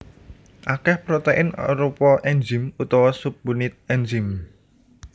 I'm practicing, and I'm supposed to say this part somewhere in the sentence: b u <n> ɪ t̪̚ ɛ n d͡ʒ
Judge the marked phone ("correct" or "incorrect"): correct